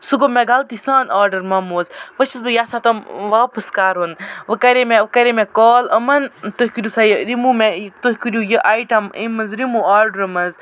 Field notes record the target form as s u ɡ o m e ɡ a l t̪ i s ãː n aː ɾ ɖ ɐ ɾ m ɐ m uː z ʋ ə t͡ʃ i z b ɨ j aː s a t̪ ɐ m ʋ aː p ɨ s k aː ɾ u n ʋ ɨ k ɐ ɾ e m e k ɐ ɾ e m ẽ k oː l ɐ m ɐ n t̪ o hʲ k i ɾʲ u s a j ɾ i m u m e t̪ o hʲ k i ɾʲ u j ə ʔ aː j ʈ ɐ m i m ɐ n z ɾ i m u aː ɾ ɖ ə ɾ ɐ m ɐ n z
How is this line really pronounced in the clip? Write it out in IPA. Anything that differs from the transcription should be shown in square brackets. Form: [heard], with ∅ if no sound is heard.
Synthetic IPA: s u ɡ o m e ɡ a l t̪ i s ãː n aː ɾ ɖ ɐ ɾ m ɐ m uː z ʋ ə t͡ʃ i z b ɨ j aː s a t̪ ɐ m ʋ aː p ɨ s k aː ɾ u n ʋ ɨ k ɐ ɾ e m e k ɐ ɾ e m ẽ k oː l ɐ m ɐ n t̪ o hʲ k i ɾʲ u s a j ɾ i m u m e t̪ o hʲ k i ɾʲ u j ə ʔ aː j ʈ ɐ m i m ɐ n z ɾ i m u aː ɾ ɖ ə ɾ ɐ m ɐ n z